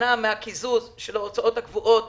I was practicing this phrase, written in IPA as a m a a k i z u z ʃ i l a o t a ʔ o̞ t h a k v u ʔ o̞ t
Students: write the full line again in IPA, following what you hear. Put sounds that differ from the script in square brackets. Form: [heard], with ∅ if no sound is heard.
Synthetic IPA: a m [e] a k i z u z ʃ [e] l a o [t͡s] a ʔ o̞ t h a k v u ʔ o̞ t